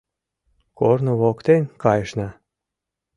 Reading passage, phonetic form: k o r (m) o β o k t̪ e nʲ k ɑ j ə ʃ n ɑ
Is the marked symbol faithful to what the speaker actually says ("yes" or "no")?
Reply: no